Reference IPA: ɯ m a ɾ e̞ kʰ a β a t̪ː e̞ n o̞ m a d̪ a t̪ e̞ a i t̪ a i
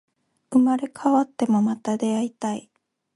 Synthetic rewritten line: ɯ m a ɾ e̞ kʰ a β a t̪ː e̞ m o̞ m a t̪ a d̪ e̞ a i t̪ a i